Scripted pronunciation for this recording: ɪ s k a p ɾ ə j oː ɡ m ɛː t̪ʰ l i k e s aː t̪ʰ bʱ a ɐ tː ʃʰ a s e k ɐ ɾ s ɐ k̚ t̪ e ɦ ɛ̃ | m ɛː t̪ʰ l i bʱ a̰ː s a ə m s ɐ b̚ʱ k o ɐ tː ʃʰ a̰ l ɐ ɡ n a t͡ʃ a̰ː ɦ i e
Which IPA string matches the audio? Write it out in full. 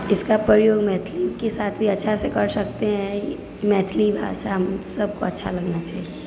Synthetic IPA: ɪ s k a p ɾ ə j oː ɡ m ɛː t̪ʰ l i k e s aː t̪ʰ bʱ i ɐ tː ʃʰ a s e k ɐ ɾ s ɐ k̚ t̪ e ɦ ɛ̃ | m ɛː t̪ʰ l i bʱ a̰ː s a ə m s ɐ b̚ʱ k o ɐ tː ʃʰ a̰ l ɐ ɡ n a t͡ʃ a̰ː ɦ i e